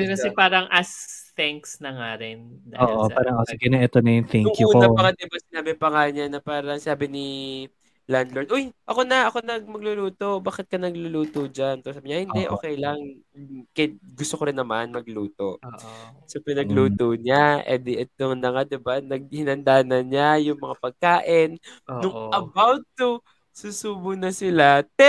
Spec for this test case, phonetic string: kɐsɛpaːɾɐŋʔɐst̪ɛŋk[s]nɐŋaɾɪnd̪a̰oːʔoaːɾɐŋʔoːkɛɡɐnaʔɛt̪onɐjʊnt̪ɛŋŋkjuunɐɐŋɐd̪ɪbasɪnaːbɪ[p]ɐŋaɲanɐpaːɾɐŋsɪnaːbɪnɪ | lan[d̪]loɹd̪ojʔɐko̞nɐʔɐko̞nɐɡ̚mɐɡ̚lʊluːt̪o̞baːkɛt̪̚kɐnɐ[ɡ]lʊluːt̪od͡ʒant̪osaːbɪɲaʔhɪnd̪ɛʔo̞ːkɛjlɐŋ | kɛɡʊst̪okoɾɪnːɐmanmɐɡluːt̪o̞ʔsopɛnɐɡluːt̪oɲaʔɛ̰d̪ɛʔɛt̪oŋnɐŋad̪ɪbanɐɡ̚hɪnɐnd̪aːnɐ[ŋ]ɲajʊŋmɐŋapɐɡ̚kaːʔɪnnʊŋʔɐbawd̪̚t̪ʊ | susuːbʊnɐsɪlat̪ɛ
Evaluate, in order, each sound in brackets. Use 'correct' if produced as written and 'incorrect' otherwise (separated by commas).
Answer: correct, correct, correct, correct, incorrect